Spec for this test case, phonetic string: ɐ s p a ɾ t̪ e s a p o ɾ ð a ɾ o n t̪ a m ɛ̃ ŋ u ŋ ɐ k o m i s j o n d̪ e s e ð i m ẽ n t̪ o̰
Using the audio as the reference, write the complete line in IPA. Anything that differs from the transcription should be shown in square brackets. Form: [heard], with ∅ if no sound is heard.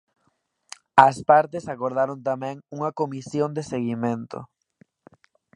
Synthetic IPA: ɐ s p a ɾ t̪ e s a [k] o ɾ ð a ɾ o n t̪ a m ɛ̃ ŋ u ŋ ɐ k o m i s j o n d̪ e s e [ɣ] i m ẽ n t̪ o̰